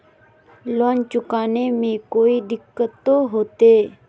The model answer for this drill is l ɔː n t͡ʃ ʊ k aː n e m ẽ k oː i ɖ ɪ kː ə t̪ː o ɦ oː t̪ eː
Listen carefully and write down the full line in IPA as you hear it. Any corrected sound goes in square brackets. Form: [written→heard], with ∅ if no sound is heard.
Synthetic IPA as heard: l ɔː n t͡ʃ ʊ k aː n e m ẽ k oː i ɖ ɪ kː ə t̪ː o ɦ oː t̪ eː